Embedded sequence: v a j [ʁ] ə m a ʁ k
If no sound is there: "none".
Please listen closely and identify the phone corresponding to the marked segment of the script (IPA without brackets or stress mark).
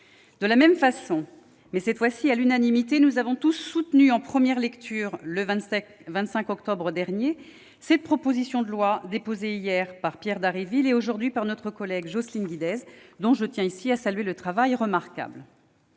ʁ